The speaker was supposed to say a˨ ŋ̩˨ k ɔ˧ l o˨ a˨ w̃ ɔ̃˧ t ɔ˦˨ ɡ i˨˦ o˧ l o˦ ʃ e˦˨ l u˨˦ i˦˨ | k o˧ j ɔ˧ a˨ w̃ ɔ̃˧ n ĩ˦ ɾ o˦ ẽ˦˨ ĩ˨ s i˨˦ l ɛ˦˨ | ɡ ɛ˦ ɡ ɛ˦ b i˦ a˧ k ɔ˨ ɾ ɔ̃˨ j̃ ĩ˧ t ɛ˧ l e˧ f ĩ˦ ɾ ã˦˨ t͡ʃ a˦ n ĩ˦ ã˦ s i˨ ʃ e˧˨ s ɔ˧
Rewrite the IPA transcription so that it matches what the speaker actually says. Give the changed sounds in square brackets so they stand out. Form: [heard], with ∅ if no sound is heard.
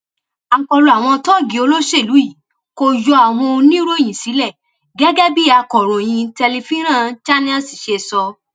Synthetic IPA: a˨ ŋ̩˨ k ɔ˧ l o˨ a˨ w̃ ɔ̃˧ t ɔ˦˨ ɡ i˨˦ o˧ l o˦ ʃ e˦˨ l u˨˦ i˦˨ | k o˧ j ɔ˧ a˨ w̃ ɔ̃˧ n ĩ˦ ɾ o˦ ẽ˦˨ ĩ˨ s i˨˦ l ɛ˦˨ | ɡ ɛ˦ ɡ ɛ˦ b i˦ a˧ k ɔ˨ ɾ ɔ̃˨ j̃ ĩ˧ t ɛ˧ l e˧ f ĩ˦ ɾ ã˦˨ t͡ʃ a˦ n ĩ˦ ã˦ s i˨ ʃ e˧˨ s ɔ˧